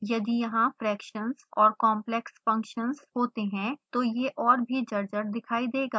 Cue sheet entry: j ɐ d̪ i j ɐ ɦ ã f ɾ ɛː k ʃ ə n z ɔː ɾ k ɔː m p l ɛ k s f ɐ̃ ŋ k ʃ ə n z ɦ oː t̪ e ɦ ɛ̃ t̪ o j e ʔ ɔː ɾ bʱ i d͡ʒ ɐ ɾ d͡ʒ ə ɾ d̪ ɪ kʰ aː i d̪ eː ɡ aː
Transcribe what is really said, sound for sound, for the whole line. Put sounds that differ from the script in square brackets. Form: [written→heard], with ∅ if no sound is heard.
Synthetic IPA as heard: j ɐ d̪ i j ɐ ɦ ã f ɾ ɛː k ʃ ə n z ɔː ɾ k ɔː m p l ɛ k s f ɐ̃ ŋ k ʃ ə n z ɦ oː t̪ e ɦ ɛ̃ t̪ o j e ʔ ɔː ɾ bʱ i d͡ʒ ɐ ɾ d͡ʒ ə ɾ d̪ ɪ kʰ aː i d̪ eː ɡ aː

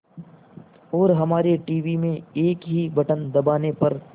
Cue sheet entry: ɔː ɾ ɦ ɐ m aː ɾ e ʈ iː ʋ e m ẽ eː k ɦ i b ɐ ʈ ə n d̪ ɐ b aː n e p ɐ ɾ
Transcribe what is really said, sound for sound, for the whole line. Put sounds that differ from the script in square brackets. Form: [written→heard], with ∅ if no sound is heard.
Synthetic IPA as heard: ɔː ɾ ɦ ɐ m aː ɾ e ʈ iː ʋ [e→i] m ẽ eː k ɦ i b ɐ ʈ ə n d̪ ɐ b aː n e p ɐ ɾ

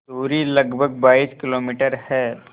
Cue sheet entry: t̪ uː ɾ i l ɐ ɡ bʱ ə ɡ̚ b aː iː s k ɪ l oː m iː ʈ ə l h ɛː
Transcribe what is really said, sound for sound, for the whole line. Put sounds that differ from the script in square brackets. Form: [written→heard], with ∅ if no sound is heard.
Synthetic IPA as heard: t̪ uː ɾ i l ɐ ɡ bʱ ə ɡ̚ b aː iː s k ɪ l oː m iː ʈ ə [l→ɾ] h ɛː

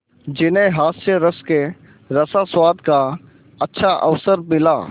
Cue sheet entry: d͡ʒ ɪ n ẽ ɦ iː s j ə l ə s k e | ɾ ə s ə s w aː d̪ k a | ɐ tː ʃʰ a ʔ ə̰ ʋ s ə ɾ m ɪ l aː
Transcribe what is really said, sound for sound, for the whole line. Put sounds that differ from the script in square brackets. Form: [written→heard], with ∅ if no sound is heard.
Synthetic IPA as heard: d͡ʒ ɪ n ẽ ɦ [iː→aː] s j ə [l→ɾ] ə s k e | ɾ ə s [ə→a] s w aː d̪ k a | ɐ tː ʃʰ a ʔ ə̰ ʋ s ə ɾ m ɪ l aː

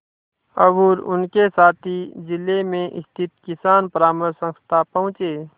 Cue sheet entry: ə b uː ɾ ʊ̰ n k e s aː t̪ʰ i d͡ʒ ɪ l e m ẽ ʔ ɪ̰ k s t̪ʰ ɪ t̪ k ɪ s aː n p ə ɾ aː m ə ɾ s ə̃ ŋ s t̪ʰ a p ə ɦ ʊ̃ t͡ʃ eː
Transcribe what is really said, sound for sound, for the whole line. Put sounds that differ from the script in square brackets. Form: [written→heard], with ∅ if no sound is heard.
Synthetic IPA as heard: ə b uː ɾ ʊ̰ n k e s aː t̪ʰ i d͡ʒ ɪ l e m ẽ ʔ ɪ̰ [k→∅] s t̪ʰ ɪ t̪ k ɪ s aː n p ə ɾ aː m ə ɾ s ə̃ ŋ s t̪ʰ a p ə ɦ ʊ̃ t͡ʃ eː

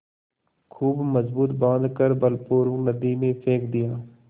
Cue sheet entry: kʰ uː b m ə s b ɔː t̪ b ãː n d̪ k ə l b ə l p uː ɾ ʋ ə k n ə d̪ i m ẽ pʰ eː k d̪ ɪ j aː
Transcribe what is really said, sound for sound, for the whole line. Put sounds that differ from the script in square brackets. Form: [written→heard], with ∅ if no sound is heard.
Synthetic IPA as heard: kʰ uː b m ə [s→z] b [ɔː→uː] t̪ b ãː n d̪ k ə [l→ɾ] b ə l p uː ɾ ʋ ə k n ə d̪ i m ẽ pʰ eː k d̪ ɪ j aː

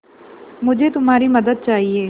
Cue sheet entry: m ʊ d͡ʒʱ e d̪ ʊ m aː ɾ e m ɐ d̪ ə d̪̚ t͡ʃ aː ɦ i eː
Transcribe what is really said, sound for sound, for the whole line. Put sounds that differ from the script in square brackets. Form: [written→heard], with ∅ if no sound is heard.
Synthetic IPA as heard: m ʊ d͡ʒʱ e [d̪→t̪] ʊ m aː ɾ [e→i] m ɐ d̪ ə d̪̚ t͡ʃ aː ɦ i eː

